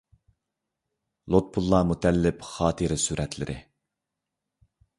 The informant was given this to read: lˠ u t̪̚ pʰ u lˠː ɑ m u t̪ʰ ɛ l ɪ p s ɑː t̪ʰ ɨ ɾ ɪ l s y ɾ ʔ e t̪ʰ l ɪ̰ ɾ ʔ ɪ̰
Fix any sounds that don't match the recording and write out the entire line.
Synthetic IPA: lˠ o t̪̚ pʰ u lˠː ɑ m u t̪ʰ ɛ lː ɪ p χ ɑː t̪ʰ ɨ ɾ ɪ s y ɾ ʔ ɛ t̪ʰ l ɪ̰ ɾ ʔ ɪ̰